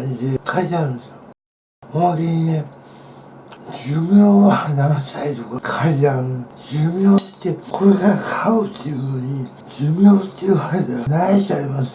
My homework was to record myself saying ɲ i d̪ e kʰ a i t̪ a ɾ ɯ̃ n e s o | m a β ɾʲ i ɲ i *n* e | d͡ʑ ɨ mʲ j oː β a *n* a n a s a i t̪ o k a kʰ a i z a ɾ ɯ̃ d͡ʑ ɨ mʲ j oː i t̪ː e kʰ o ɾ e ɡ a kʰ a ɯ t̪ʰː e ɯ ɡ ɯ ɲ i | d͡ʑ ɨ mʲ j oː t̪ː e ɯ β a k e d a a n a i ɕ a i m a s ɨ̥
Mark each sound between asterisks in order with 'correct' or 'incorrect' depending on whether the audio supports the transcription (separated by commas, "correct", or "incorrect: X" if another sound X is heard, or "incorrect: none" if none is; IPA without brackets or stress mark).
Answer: correct, correct